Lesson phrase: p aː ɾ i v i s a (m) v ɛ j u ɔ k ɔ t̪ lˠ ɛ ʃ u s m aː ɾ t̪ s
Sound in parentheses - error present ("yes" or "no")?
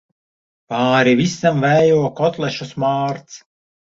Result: no